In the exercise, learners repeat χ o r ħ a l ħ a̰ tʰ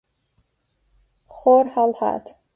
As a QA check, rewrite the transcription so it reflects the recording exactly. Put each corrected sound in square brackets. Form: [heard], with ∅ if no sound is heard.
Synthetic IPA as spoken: χ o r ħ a l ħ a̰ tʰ